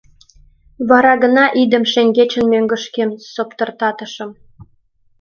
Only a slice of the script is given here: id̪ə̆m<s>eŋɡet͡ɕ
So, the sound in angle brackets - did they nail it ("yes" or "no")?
no